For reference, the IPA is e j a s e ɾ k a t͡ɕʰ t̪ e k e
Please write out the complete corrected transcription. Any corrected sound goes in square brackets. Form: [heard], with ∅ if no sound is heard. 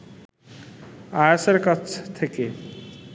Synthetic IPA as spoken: [a] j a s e ɾ k a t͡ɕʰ [t̪ʰ] e k e